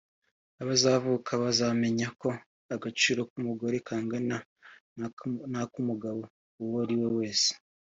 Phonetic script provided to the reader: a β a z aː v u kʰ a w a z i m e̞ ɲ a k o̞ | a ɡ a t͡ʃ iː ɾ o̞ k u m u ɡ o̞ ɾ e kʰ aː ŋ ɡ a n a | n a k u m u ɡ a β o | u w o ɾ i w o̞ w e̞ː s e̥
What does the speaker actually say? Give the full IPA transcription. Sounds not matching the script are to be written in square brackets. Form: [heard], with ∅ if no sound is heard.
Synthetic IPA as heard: a β a z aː v u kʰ a [β] a z [a] m e̞ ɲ a k o̞ | a ɡ a t͡ʃ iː ɾ o̞ k u m u ɡ o̞ ɾ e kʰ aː ŋ ɡ a n a | n a k u m u ɡ a β o | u w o ɾ i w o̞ w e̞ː s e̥